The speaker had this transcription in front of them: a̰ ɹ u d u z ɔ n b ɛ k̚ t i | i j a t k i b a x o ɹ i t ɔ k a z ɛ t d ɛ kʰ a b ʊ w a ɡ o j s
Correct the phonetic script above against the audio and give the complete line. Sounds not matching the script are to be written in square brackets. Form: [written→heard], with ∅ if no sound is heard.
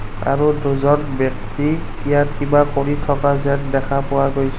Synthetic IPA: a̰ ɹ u d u z ɔ n b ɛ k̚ t i | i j a t k i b a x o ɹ i [t→tʰ] ɔ k a z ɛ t d ɛ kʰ a [b→p] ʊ w a ɡ o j s